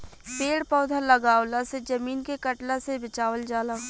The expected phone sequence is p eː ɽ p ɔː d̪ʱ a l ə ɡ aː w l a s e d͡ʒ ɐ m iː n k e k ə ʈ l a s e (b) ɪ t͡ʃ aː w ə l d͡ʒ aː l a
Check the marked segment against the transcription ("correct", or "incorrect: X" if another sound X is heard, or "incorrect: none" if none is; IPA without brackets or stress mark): correct